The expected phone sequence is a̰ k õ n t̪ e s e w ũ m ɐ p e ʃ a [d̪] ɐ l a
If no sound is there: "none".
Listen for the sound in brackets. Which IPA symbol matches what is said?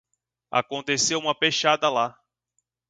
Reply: d̪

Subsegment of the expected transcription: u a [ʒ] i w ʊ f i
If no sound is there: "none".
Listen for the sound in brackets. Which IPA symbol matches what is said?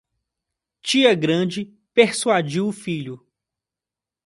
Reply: d͡ʒ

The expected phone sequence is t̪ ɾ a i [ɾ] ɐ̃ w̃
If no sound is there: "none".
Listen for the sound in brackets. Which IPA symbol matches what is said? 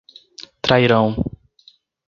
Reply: ɾ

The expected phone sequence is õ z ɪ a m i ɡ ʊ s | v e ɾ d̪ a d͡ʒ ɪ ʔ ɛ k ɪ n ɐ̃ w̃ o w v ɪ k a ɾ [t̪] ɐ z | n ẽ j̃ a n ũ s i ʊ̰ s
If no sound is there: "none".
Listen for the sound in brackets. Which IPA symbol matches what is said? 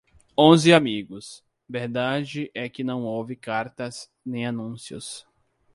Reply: t̪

